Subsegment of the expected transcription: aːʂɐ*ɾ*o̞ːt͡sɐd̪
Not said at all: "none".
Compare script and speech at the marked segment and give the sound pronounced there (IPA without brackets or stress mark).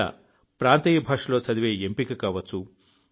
l